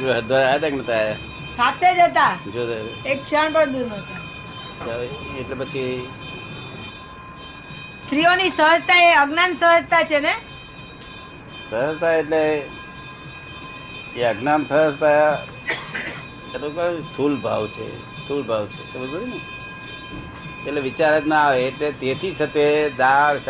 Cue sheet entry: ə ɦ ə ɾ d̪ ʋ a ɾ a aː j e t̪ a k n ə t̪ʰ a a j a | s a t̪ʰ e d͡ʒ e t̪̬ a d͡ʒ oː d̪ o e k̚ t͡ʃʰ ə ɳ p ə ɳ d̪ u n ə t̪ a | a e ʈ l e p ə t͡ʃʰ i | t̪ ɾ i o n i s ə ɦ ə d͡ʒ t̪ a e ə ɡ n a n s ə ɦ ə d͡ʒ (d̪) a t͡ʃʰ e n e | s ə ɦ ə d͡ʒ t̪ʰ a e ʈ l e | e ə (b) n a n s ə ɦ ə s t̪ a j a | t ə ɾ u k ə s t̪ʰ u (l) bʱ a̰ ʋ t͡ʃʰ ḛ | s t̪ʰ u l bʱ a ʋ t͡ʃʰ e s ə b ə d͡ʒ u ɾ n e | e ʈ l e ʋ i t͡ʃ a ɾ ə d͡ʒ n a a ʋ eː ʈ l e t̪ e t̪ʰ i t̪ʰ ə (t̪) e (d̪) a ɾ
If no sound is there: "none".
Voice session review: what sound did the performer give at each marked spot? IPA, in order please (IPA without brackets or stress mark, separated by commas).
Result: t̪, ɡ, l, t̪, d̪